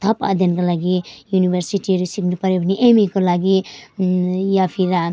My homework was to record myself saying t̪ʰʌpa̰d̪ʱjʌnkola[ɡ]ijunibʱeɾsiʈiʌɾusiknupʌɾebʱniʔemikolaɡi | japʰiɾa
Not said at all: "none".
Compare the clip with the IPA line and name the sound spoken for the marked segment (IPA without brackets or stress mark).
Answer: ɡ